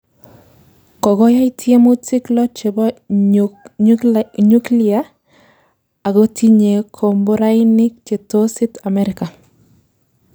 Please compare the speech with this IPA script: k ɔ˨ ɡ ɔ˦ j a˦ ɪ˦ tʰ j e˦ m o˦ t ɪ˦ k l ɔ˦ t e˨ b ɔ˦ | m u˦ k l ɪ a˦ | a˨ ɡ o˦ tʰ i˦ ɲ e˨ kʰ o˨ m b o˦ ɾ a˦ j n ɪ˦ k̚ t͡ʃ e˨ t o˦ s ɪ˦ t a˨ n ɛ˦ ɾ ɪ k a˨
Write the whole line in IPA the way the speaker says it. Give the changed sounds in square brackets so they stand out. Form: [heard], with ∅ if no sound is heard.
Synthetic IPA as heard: k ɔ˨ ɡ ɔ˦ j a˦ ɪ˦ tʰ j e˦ m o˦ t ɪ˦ k l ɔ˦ [t͡ʃ] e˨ b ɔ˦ | [ɲ] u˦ k l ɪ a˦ | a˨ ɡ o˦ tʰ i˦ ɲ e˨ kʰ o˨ m b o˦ ɾ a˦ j n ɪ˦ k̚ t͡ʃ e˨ t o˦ s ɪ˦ t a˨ [m] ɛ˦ ɾ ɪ k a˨

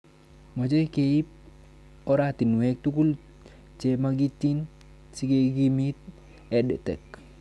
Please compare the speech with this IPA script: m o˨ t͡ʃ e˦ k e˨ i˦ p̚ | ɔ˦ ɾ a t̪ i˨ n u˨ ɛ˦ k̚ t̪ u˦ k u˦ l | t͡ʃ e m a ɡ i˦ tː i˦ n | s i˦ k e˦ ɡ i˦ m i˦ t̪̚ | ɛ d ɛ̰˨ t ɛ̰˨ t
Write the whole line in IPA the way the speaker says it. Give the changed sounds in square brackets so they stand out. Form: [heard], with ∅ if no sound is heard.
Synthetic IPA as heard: m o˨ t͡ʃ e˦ k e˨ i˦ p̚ | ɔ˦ ɾ a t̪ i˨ n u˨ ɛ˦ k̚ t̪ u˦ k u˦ l | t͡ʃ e m a ɡ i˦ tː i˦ n | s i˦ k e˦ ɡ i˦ m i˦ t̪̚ | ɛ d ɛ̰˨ t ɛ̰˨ [k]

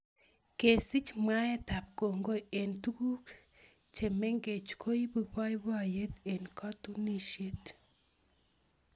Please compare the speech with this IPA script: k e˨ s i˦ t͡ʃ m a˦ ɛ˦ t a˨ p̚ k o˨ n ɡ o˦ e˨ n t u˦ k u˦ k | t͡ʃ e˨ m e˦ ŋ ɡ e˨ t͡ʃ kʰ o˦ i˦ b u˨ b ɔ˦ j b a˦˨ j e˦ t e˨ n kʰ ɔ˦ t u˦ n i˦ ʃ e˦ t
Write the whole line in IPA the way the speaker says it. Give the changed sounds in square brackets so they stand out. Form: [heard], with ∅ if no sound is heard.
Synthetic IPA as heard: k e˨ s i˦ t͡ʃ m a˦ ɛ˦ t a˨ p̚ k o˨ [ŋ] ɡ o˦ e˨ n t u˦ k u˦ k | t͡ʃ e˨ m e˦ ŋ ɡ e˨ t͡ʃ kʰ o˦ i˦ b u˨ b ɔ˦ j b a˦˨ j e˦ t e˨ n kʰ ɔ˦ t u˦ n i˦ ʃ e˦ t

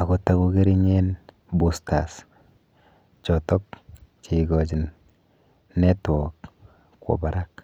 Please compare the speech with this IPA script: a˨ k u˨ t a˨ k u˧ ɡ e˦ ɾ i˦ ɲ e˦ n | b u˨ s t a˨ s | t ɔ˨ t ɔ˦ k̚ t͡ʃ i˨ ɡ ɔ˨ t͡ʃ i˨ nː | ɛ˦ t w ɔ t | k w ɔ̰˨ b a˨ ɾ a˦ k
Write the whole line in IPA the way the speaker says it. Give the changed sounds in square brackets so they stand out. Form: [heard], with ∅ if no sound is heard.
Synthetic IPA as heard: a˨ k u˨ t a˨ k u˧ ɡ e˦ ɾ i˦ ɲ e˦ n | b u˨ s t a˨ s | [t͡ʃ] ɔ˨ t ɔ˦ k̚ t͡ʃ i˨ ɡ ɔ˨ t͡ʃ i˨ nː | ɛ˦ t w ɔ [k] | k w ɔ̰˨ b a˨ ɾ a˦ k

